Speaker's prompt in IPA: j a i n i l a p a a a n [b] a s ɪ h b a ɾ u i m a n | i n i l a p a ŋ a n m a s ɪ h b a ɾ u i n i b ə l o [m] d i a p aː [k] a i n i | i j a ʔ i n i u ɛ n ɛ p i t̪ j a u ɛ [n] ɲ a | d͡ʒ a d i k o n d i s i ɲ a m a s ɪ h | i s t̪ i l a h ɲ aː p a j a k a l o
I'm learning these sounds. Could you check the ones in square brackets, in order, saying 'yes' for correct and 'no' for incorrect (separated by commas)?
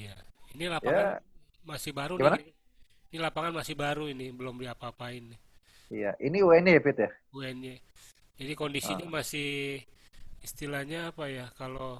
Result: no, yes, no, yes